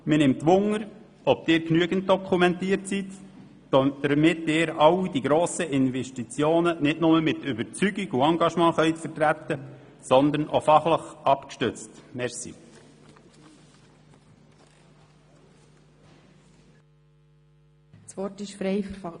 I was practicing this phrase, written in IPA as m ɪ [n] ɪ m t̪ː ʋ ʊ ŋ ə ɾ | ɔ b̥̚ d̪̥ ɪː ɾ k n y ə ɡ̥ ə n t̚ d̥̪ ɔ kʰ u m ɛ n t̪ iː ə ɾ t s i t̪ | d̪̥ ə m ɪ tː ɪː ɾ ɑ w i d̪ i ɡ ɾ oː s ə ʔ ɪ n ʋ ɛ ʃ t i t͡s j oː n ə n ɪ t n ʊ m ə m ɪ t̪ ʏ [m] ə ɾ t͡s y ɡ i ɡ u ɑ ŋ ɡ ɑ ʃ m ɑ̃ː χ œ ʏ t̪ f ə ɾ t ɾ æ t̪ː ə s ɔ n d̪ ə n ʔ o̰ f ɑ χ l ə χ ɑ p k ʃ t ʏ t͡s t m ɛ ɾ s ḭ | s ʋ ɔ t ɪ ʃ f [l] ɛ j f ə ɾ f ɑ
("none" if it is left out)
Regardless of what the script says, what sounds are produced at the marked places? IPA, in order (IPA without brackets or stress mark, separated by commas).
n, b, ɾ